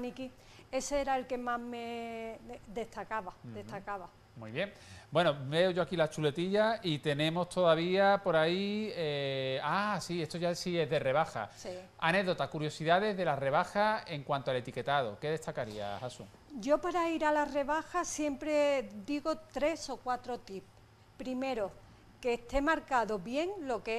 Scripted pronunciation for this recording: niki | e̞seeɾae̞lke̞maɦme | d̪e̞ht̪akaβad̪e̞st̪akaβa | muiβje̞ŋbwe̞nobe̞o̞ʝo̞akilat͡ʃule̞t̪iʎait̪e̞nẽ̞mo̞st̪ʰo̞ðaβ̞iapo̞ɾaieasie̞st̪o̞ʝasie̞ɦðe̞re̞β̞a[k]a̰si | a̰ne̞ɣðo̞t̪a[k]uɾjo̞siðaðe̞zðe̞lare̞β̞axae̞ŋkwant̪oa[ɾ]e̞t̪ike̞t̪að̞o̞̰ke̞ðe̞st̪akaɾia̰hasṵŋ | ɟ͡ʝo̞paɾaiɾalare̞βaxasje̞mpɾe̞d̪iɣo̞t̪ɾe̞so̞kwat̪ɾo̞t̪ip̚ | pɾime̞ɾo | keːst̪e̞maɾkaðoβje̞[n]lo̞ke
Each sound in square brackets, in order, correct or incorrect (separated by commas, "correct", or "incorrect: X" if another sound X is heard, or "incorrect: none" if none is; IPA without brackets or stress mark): incorrect: x, correct, incorrect: l, incorrect: ŋ